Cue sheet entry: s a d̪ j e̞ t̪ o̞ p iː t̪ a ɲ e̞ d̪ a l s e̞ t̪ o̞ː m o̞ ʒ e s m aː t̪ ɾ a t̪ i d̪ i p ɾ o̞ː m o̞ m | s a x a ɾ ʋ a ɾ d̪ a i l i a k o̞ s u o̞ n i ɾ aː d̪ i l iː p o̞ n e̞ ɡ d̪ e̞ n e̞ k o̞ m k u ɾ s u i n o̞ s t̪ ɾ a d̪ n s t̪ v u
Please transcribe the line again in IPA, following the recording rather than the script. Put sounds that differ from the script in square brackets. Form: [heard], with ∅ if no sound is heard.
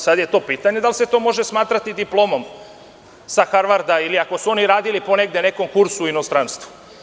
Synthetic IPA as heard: s a d̪ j e̞ t̪ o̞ p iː t̪ a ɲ e̞ d̪ a l s e̞ t̪ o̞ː m o̞ ʒ e s m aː t̪ ɾ a t̪ i d̪ i p [l] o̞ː m o̞ m | s a x a ɾ ʋ a ɾ d̪ a i l i a k o̞ s u o̞ n i ɾ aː d̪ i l [i] p o̞ n e̞ ɡ d̪ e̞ n e̞ k o̞ m k u ɾ s u i n o̞ s t̪ ɾ a [∅] n s t̪ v u